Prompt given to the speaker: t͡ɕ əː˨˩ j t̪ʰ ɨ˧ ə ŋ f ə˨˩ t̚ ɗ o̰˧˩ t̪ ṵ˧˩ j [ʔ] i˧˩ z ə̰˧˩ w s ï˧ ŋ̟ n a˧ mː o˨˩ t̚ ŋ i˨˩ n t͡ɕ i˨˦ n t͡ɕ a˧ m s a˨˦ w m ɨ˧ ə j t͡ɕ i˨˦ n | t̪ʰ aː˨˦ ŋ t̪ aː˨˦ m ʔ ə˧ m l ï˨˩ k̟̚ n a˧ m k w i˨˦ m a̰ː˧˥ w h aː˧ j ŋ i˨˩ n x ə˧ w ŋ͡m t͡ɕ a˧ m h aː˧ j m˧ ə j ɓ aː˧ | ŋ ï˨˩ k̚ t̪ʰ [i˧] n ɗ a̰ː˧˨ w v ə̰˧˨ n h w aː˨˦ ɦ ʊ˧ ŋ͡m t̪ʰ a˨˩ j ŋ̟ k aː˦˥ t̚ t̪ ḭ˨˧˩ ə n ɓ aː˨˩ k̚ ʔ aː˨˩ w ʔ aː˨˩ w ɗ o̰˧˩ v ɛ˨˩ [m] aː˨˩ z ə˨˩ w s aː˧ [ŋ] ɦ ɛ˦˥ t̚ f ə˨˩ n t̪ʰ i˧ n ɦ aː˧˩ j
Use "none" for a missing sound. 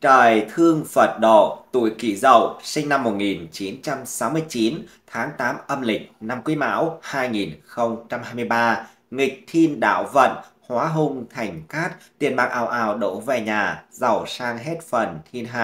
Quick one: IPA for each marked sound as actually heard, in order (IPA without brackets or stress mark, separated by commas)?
k, i˧, ɲ, ŋ